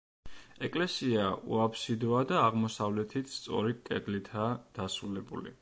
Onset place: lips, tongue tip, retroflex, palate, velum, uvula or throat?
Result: velum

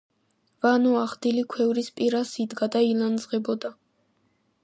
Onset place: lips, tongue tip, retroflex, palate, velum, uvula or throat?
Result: lips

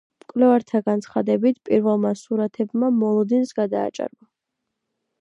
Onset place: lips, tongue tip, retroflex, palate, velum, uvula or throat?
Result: lips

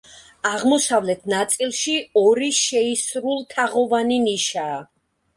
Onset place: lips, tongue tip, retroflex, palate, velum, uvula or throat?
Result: uvula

